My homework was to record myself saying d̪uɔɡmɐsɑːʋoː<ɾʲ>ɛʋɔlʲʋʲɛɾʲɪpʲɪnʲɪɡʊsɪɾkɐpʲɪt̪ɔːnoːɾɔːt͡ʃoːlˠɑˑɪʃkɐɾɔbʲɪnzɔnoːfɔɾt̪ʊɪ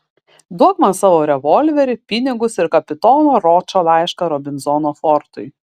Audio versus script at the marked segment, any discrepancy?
no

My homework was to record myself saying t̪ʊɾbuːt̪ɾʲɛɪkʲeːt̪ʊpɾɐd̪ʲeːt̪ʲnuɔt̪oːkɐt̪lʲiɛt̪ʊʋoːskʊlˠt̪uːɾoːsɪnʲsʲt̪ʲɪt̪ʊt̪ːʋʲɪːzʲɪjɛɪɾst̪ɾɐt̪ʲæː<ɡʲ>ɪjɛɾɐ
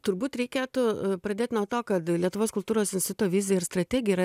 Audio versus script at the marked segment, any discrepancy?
no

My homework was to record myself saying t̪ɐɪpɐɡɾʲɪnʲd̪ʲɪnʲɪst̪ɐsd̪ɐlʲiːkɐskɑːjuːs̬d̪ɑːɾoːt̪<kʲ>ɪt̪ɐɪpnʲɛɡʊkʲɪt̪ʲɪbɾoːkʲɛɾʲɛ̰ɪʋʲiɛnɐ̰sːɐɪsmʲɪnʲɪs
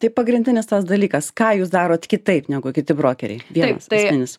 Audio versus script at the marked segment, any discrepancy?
no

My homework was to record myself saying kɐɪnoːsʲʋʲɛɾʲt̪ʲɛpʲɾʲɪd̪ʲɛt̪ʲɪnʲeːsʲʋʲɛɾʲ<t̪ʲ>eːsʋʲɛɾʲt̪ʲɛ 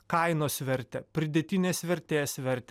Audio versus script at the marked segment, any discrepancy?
no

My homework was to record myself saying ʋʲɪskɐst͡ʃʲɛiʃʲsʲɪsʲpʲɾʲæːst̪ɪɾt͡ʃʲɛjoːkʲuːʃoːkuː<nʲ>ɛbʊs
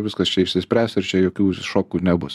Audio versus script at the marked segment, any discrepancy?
no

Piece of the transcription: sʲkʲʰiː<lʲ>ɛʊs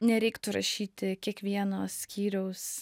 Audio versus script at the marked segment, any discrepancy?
yes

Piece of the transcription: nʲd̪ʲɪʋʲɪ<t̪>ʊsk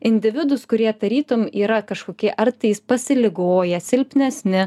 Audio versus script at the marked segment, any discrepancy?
yes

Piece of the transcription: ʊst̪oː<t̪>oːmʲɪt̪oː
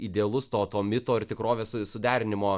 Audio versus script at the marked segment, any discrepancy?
no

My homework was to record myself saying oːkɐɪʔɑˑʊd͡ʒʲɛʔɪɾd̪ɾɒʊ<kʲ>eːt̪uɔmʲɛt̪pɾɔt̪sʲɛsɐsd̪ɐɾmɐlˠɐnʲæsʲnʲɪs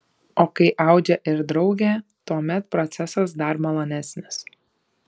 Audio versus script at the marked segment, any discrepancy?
yes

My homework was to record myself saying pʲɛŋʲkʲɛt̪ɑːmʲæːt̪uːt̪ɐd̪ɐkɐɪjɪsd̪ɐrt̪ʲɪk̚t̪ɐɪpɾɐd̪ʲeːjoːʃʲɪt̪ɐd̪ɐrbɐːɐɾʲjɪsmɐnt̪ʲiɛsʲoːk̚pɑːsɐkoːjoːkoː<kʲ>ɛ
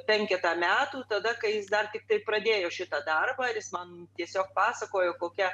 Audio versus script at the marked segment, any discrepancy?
no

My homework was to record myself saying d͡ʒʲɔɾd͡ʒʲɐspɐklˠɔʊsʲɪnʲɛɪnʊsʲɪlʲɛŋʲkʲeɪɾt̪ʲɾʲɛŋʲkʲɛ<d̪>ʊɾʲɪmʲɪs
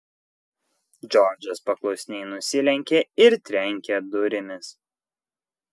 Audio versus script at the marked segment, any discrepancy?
no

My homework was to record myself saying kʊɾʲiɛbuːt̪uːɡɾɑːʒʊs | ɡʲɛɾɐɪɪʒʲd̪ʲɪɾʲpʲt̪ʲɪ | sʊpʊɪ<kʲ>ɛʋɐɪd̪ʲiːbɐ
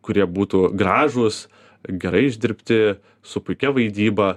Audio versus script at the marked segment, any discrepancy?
no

